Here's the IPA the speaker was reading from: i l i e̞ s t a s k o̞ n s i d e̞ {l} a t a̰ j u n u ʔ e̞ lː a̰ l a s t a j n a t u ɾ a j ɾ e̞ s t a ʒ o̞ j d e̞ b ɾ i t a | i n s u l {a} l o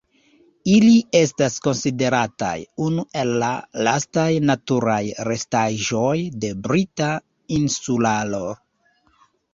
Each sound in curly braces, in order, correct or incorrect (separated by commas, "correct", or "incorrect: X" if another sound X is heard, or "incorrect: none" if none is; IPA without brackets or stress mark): incorrect: ɾ, correct